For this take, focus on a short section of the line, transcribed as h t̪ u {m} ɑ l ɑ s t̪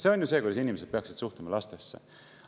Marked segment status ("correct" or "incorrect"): correct